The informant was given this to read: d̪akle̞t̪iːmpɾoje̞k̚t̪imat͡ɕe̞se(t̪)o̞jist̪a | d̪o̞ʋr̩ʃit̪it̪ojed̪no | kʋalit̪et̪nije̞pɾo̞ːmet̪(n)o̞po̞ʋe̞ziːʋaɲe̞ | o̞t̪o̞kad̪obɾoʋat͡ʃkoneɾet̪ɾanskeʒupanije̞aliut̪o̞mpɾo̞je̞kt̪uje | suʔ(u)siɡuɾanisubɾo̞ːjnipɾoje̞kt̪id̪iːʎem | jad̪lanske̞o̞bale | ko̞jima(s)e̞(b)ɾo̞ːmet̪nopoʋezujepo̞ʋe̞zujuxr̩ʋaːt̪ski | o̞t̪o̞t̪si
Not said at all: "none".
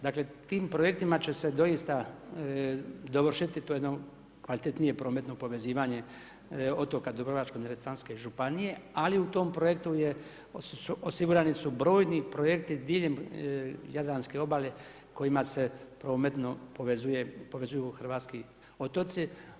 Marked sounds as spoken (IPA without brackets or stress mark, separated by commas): d̪, n, o, s, p